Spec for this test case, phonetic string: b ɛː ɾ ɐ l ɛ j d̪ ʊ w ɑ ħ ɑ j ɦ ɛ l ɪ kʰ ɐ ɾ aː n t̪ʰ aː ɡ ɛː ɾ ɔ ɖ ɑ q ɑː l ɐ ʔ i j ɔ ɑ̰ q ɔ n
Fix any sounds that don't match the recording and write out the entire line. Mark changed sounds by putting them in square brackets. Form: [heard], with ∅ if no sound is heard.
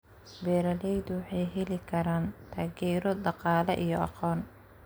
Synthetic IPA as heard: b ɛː ɾ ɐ l ɛ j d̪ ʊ w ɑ ħ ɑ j ɦ ɛ l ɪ kʰ ɐ ɾ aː n t̪ʰ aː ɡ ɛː ɾ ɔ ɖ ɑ q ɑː l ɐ ʔ i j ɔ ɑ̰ q [ɔː] n